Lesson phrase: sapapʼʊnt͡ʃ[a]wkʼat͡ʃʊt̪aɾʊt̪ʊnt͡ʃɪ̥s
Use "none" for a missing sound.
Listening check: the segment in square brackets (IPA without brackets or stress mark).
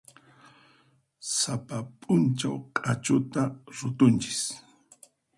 a